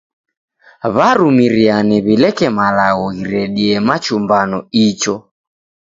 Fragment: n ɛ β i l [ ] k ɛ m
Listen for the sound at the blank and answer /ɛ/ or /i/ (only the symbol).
ɛ